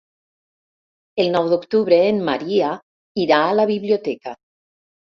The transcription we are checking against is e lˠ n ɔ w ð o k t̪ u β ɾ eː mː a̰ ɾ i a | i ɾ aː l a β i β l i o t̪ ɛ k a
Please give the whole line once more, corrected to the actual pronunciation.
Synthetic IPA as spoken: e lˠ n ɔ w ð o k t̪ u β ɾ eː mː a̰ ɾ i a | i ɾ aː l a β i β l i o t̪ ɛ k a